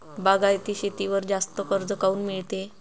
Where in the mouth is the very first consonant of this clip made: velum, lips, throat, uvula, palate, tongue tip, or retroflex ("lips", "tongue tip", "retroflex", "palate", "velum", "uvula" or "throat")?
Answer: lips